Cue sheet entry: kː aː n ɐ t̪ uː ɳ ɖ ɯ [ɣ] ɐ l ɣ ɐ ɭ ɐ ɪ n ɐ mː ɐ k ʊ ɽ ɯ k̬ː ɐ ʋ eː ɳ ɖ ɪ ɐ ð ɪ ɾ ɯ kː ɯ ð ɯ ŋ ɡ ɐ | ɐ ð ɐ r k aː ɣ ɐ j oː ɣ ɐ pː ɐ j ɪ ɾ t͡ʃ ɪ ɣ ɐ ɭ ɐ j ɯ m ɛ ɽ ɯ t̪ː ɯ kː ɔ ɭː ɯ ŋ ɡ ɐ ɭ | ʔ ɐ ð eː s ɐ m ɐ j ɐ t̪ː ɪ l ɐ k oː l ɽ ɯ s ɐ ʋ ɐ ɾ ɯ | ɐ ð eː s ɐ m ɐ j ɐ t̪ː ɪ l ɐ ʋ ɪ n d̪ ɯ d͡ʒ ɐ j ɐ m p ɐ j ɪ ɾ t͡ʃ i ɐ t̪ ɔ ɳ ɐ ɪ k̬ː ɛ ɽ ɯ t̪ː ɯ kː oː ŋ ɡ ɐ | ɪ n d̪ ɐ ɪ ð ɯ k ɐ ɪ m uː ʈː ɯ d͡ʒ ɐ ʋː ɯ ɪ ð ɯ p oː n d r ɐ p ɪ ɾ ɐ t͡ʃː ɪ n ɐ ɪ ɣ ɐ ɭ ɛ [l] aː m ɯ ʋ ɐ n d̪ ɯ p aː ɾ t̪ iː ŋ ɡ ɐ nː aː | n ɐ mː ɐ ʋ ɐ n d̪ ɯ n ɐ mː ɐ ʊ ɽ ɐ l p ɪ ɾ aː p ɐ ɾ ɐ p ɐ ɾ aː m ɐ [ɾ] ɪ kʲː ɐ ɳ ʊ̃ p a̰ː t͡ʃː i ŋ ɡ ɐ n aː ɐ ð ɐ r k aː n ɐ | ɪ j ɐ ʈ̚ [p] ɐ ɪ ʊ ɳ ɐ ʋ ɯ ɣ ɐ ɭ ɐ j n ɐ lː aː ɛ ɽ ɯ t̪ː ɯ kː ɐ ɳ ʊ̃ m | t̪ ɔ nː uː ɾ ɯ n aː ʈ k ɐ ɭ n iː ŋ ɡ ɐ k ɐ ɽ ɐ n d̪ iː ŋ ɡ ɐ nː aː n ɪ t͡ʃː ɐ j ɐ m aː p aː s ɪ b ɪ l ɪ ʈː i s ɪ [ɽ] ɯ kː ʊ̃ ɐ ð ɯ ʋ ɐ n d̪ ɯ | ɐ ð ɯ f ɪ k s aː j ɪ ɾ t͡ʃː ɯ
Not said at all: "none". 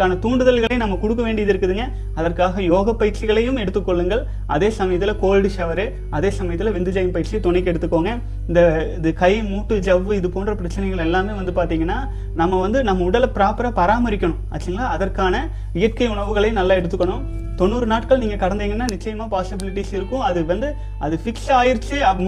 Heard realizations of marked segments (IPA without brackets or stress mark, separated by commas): ð, lː, ɾ, k, ɾ